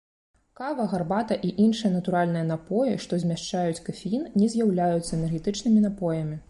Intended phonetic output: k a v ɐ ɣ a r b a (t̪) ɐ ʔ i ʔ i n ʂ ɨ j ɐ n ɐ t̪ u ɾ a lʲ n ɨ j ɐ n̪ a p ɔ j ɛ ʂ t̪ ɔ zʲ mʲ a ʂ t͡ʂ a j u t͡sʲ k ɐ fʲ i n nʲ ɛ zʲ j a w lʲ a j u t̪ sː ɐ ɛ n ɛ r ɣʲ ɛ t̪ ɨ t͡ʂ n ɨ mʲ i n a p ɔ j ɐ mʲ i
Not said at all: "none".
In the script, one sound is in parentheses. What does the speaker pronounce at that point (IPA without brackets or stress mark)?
t̪